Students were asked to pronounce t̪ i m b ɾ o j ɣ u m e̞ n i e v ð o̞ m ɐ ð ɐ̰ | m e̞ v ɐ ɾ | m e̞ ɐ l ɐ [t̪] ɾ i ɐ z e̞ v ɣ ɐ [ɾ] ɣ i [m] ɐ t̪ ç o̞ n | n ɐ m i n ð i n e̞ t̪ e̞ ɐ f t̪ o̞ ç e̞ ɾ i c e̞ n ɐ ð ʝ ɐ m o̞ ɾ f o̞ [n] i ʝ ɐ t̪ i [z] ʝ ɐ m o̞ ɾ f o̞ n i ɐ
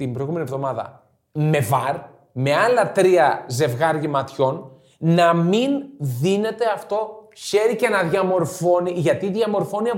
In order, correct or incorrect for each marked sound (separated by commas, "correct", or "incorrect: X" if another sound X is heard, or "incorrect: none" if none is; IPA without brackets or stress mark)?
correct, correct, correct, correct, incorrect: ð